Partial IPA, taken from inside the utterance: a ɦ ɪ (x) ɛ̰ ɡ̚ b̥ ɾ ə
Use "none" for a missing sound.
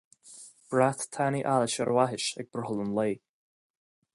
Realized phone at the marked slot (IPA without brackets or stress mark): ʃ